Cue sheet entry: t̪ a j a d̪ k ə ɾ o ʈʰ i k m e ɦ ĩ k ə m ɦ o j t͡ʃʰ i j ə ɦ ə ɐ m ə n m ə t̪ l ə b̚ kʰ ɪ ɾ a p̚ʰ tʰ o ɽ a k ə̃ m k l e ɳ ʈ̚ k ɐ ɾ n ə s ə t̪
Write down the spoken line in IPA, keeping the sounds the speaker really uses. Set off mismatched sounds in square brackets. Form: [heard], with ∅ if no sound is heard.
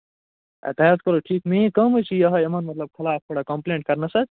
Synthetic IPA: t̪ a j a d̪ k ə ɾ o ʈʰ i k m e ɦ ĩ k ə m ɦ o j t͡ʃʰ i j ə ɦ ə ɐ m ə n m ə t̪ l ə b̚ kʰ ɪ [l] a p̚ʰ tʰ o ɽ a k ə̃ m [p] l e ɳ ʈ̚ k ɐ ɾ n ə s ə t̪